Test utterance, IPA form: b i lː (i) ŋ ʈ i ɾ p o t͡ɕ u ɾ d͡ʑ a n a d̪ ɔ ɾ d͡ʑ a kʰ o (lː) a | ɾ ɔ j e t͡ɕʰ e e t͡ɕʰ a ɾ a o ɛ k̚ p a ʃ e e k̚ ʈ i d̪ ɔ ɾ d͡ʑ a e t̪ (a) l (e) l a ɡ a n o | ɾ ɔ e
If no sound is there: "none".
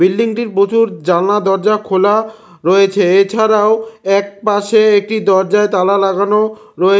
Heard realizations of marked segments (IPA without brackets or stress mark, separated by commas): i, l, a, a